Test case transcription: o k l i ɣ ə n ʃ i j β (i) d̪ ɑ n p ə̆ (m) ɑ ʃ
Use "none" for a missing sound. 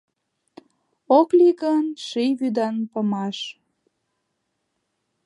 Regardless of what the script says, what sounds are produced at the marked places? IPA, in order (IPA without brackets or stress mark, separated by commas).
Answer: y, m